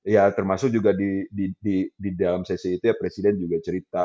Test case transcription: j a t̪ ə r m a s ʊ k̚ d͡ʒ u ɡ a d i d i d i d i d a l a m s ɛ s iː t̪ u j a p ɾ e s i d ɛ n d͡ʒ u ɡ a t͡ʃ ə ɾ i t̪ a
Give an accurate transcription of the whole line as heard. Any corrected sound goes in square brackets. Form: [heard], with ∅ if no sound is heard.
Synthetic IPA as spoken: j a t̪ ə r m a s ʊ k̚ d͡ʒ u ɡ a d i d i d i d i d a l a m s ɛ s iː t̪ u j a p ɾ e s i d ɛ n d͡ʒ u ɡ a t͡ʃ ə ɾ i t̪ a